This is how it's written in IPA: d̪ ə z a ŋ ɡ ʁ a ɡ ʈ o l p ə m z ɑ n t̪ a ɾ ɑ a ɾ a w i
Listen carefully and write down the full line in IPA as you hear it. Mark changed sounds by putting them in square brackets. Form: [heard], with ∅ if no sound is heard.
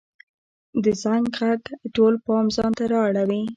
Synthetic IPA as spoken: d̪ ə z a ŋ ɡ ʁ a ɡ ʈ o l p [ɑ] m z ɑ n t̪ a ɾ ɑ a [ɽ] a w i